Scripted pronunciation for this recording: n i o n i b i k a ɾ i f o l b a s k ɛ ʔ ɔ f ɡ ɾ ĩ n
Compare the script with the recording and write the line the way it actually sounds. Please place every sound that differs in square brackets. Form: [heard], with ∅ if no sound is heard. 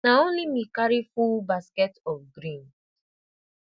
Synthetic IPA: n [a] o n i [m] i k a ɾ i f [u] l b a s k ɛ [t] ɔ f ɡ ɾ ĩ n